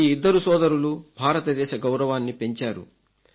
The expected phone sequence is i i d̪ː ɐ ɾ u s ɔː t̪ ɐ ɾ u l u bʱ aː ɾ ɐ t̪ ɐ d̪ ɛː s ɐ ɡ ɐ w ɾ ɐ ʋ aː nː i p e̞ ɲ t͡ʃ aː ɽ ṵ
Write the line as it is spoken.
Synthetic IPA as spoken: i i d̪ː ɐ ɾ u s ɔː d̪ ɐ ɾ u l u bʱ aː ɾ ɐ t̪ ɐ d̪ ɛː ʃ ɐ ɡ ɐ w ɾ ɐ ʋ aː nː i p e̞ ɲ t͡ʃ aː ɾ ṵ